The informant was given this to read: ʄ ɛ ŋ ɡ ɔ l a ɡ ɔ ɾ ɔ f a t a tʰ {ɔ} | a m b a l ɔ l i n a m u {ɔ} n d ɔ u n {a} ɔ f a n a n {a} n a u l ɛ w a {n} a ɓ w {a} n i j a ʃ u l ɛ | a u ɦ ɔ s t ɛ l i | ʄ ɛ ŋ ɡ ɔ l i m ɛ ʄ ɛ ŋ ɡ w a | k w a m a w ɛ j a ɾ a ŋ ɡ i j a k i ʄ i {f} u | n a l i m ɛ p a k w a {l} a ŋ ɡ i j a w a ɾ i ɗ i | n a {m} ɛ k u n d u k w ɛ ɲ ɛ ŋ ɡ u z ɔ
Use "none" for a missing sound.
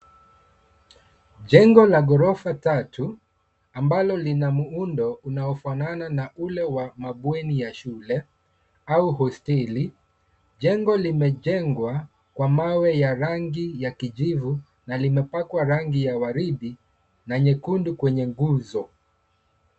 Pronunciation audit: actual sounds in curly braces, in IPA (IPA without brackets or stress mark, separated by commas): u, u, a, a, m, ɛ, v, ɾ, ɲ